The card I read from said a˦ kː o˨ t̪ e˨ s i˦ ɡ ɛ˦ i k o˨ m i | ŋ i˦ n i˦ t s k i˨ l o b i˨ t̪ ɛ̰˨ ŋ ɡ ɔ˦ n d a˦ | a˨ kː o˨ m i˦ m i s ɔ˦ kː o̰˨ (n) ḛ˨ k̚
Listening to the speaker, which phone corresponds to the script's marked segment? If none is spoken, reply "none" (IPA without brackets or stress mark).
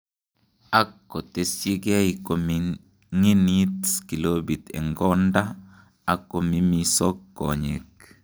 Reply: ɲ